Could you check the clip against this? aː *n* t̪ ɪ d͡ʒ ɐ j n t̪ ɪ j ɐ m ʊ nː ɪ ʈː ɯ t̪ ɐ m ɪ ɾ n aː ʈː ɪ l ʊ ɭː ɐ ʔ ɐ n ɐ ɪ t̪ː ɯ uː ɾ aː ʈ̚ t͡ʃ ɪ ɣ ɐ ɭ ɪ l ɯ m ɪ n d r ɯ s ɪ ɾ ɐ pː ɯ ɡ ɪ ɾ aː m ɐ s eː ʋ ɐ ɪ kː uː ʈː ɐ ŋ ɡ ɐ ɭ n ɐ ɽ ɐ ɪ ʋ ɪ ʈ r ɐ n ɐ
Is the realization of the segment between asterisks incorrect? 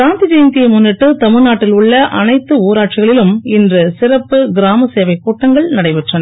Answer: no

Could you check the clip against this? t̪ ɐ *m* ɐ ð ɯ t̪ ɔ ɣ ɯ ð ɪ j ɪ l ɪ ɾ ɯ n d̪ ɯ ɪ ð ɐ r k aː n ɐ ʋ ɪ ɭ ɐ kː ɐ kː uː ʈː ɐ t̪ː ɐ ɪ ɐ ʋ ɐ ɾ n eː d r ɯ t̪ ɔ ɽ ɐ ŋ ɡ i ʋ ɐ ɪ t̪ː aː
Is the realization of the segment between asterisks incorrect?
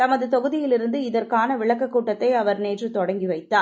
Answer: no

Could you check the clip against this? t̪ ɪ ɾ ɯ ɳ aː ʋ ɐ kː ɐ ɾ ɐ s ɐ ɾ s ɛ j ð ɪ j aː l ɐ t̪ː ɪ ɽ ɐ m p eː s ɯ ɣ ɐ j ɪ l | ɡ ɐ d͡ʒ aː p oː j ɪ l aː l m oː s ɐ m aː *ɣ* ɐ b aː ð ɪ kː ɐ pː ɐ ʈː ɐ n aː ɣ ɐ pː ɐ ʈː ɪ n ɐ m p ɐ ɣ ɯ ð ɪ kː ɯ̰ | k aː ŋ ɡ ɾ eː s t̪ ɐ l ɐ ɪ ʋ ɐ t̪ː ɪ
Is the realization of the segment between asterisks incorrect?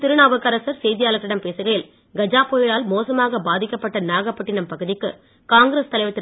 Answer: no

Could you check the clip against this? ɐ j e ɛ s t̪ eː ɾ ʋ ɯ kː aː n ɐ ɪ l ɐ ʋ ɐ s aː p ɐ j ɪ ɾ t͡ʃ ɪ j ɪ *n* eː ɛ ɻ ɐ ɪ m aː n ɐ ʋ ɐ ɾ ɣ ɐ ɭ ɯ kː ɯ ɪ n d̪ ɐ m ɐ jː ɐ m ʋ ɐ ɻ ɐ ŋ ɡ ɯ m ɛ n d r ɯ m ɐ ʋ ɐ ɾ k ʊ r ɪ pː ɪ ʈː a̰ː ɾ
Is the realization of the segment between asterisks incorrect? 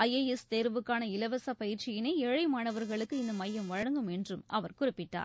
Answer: no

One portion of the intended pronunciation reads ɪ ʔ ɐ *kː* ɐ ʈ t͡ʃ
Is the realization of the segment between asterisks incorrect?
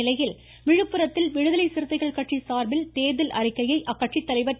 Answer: no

